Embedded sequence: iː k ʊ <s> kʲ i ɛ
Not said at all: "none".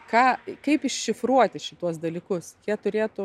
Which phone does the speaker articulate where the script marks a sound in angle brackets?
s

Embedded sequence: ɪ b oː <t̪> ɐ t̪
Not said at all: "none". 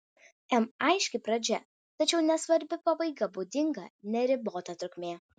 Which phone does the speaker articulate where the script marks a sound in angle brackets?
t̪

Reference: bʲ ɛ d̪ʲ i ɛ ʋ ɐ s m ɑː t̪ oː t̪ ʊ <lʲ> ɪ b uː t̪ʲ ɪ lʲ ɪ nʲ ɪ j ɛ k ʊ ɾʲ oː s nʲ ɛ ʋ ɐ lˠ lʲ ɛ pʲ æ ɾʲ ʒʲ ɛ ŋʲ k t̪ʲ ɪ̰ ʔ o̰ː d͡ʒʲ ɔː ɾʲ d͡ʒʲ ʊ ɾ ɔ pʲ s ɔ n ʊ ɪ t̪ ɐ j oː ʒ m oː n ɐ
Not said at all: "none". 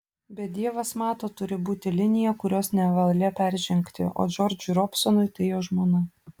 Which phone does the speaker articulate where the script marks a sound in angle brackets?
ɾʲ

